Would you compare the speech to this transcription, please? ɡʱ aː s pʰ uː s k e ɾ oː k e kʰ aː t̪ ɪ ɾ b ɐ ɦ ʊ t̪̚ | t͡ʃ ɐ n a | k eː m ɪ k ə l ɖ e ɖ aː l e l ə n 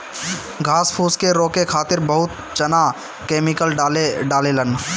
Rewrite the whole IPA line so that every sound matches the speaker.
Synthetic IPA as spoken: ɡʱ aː s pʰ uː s k e ɾ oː k e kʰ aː t̪ ɪ ɾ b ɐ ɦ ʊ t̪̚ | t͡ʃ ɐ n a | k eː m ɪ k ə l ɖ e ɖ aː l e l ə n